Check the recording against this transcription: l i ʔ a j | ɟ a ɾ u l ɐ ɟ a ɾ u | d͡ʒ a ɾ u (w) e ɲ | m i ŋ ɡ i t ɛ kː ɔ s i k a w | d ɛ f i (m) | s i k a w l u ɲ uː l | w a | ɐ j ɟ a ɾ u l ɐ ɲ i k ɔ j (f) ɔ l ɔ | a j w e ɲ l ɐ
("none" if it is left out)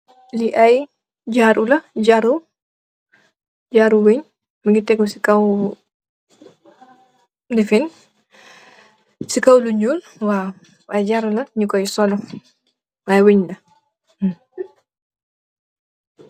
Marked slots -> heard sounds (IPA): w, n, s

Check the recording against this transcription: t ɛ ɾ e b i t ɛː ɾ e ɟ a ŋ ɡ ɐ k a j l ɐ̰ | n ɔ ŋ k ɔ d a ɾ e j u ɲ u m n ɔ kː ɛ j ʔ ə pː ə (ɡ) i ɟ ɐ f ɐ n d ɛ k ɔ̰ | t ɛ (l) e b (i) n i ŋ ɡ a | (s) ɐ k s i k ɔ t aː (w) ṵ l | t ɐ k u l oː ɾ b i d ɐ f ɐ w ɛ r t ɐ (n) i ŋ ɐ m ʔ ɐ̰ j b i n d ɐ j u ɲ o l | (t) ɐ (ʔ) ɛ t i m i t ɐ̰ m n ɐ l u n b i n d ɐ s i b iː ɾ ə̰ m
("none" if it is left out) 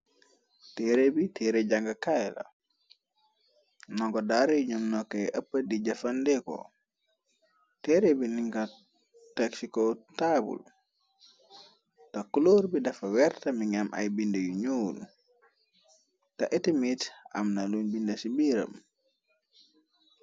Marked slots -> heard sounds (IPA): d, ɾ, i, t, b, m, t, ʔ

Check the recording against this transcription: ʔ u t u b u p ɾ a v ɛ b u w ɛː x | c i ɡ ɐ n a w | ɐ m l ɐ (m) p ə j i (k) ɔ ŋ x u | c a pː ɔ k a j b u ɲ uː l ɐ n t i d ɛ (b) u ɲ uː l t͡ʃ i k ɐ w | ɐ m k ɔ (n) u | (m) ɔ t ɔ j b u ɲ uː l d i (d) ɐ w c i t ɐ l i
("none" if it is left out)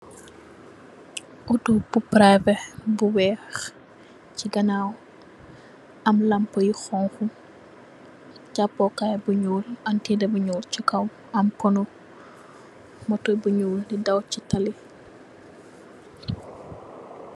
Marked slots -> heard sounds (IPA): m, x, b, n, m, d

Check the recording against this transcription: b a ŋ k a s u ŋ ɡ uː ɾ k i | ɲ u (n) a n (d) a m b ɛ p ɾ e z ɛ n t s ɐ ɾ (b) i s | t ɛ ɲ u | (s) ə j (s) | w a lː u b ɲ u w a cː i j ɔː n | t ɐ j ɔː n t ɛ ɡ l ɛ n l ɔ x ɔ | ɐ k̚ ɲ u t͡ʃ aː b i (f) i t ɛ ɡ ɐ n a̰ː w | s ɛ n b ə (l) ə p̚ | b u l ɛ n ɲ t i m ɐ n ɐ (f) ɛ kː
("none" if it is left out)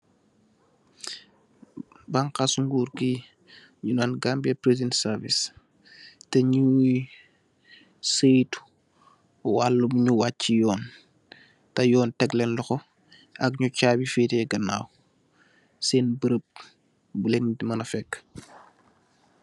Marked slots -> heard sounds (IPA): n, ɡ, v, s, t, f, ɾ, f

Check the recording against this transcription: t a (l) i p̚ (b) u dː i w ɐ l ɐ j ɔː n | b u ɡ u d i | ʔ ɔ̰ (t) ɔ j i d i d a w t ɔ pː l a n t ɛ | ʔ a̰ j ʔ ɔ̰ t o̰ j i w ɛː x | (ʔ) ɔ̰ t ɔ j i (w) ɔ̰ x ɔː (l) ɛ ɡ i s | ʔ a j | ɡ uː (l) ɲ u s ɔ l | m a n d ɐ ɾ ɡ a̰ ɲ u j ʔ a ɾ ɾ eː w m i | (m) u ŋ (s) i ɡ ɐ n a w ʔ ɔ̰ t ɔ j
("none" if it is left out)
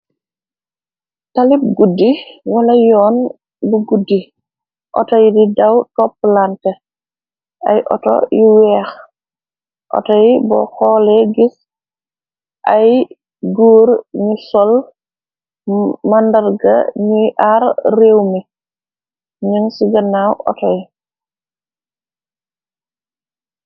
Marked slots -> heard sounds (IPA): l, ɡ, t, ʔ, b, l, ɾ, ɲ, s

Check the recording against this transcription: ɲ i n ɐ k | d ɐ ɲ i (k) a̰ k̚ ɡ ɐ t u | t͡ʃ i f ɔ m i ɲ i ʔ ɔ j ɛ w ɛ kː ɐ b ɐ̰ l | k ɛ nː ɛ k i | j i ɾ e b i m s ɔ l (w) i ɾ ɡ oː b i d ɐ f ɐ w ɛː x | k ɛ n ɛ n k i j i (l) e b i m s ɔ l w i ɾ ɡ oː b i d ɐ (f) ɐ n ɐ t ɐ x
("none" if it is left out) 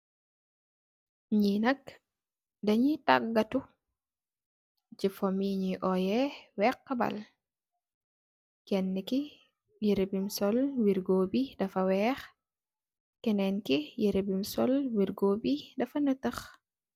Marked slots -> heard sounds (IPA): t, w, ɾ, f

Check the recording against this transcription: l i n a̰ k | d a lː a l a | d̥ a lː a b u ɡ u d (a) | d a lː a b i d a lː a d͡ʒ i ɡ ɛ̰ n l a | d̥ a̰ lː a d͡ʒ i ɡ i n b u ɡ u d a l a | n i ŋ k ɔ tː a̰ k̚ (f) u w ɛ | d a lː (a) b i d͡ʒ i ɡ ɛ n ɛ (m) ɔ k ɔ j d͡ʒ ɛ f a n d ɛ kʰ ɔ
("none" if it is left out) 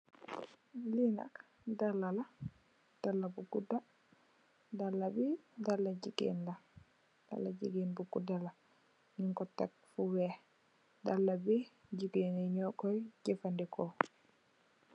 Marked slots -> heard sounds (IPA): a, f, a, ɲ

